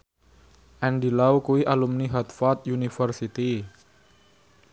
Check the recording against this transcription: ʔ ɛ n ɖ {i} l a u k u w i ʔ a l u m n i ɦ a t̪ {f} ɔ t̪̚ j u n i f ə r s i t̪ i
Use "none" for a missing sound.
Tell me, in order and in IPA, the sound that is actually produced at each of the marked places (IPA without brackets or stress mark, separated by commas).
i, f